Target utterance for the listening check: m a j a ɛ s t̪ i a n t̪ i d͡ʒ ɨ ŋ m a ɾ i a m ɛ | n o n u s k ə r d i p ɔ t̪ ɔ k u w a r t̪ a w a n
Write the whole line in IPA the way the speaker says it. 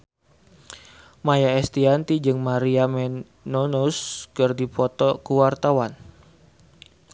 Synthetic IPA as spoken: m a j a ɛ s t̪ i a n t̪ i d͡ʒ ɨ ŋ m a ɾ i a m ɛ | n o n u s k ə r d i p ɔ t̪ ɔ k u w a r t̪ a w a n